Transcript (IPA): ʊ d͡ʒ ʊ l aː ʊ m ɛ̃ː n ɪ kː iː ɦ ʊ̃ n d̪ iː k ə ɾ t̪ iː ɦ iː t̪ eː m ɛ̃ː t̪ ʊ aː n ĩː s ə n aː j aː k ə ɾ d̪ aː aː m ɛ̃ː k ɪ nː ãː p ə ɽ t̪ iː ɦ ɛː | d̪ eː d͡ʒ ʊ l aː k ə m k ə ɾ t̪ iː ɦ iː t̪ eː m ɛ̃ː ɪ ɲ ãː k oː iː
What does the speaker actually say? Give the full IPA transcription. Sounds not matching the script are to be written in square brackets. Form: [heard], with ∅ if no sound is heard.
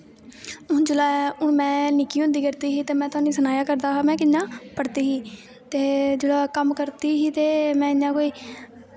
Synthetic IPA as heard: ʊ d͡ʒ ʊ l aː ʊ m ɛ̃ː n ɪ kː iː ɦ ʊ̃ n d̪ iː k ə ɾ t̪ iː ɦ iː t̪ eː m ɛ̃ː t̪ ʊ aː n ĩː s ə n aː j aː k ə ɾ d̪ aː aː m ɛ̃ː k ɪ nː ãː p ə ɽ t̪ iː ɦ [iː] | [t̪] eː d͡ʒ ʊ l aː k ə m k ə ɾ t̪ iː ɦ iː t̪ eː m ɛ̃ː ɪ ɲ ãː k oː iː